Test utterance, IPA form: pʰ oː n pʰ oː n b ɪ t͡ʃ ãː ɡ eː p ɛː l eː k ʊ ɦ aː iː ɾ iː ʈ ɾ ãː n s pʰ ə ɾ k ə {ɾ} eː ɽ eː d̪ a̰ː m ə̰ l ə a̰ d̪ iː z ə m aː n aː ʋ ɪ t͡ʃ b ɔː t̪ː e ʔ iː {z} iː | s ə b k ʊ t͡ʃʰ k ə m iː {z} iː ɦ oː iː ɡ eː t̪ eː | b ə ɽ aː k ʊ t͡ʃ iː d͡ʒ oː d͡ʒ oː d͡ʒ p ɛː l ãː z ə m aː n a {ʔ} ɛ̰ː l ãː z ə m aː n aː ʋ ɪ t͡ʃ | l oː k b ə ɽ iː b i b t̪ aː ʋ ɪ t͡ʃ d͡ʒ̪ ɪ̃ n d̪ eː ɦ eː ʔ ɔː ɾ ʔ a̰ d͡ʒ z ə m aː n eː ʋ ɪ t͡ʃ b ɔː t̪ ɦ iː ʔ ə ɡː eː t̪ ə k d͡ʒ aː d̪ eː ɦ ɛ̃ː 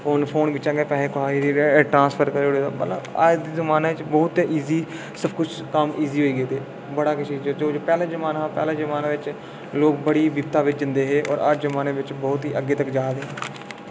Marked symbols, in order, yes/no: yes, yes, yes, no

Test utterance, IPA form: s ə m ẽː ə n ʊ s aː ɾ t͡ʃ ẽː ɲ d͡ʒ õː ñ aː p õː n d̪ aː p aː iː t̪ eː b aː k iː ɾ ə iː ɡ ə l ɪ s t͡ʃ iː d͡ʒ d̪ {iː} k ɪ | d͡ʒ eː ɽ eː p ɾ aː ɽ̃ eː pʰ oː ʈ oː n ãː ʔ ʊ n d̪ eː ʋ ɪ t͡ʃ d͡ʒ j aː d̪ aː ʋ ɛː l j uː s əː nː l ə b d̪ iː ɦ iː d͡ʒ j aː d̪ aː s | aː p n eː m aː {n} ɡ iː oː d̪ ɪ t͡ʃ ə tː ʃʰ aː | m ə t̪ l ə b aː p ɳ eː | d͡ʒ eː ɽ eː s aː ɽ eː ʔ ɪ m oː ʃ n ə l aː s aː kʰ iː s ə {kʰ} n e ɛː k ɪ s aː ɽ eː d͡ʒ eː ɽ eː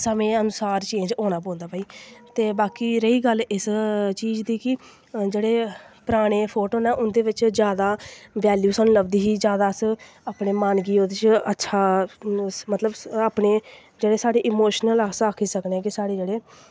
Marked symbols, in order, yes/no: yes, yes, no

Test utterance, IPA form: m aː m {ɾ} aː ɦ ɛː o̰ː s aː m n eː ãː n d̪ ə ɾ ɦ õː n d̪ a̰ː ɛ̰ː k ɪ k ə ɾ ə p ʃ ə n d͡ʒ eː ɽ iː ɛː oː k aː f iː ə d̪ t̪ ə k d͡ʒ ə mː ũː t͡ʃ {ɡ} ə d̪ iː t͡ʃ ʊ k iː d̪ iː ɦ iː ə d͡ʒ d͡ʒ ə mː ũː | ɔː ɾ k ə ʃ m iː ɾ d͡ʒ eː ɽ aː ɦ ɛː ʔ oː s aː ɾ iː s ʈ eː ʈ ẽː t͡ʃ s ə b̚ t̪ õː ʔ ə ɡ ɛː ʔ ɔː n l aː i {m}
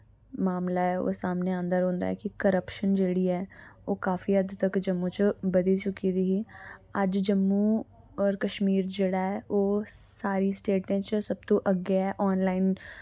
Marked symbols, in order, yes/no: no, no, no

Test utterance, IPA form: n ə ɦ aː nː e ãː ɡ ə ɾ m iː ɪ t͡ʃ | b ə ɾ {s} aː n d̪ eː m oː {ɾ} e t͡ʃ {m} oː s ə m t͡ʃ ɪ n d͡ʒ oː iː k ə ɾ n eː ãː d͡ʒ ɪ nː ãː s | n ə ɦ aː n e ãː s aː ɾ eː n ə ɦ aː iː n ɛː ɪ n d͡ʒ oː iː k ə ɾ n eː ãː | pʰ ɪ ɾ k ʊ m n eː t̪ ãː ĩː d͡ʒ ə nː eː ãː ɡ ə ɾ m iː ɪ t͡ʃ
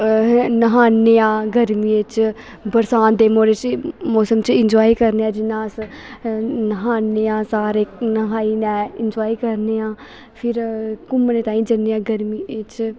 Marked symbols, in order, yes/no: yes, yes, yes

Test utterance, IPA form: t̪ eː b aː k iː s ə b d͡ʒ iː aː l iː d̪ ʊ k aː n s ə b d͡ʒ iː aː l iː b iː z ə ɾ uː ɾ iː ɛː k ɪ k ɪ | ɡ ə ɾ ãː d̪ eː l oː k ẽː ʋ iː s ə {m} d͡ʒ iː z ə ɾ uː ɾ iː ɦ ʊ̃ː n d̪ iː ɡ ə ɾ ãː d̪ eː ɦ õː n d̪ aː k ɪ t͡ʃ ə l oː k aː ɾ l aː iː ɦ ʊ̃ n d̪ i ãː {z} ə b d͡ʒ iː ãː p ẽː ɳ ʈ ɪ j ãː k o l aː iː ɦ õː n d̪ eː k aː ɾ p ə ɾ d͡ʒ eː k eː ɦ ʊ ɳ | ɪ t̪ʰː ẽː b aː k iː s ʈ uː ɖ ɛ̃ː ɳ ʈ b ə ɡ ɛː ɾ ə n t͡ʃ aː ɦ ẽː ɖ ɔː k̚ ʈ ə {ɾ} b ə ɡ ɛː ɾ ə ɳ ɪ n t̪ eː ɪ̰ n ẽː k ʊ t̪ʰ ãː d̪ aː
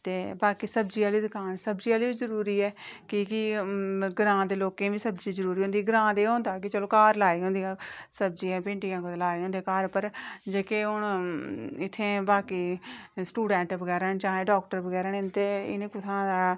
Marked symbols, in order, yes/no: no, no, yes

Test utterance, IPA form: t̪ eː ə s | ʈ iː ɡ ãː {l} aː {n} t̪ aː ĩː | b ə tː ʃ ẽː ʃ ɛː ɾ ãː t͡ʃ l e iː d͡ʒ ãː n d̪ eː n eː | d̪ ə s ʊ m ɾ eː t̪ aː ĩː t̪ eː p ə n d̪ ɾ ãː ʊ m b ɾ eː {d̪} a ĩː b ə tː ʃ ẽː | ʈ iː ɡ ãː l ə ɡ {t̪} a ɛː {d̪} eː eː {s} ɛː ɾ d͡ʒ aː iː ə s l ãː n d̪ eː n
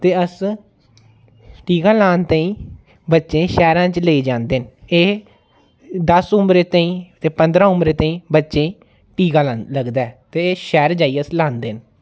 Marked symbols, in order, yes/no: yes, yes, no, no, no, no

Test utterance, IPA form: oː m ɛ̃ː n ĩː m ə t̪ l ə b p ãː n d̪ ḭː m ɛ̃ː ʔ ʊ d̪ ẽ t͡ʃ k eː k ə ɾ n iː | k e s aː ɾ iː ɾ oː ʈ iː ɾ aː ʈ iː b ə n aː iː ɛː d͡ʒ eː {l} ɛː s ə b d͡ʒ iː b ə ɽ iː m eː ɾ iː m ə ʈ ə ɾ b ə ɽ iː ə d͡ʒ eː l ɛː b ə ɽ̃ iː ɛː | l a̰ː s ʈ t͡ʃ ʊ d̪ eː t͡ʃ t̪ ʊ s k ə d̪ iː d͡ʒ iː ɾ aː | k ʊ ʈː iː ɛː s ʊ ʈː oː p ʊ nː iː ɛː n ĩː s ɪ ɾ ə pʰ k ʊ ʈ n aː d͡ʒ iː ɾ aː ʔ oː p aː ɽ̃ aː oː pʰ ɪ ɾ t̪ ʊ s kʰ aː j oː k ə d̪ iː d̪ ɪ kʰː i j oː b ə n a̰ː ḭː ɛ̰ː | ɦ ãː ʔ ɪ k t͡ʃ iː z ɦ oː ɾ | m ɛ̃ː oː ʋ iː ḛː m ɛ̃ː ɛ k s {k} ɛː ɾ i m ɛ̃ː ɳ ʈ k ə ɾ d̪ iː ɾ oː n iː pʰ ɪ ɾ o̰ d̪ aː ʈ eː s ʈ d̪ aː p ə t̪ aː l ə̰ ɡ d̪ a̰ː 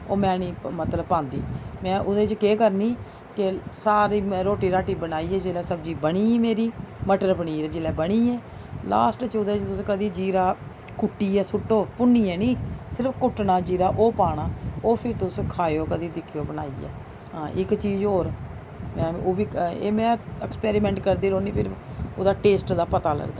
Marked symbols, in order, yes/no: yes, no

